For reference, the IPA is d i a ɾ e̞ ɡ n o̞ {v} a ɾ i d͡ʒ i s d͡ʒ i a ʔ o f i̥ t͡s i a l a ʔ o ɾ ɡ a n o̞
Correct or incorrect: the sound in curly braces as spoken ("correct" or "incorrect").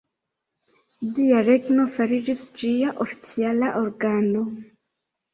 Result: incorrect